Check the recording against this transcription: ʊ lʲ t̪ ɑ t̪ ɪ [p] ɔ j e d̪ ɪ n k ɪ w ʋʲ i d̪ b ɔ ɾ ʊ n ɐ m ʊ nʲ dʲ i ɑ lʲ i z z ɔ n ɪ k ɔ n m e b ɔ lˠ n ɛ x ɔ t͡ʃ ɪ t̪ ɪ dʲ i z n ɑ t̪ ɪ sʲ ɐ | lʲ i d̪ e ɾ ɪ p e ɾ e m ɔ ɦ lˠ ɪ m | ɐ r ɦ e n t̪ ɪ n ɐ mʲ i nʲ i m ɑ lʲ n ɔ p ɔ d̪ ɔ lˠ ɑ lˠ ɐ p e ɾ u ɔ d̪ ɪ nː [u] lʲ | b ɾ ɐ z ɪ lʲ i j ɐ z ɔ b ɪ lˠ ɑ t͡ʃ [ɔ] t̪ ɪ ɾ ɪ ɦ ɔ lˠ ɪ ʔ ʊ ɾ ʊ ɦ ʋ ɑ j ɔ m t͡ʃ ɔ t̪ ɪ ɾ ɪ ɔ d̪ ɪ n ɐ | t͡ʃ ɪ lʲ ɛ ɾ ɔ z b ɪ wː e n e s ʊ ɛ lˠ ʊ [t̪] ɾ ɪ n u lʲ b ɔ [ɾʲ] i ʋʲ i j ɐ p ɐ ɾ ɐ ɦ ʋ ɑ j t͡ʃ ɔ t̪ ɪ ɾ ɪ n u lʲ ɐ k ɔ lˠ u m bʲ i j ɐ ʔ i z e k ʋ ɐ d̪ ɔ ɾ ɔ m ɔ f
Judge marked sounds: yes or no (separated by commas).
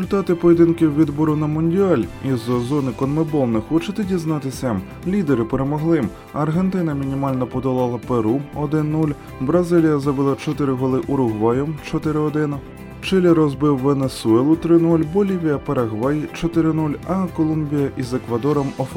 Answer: yes, yes, yes, yes, no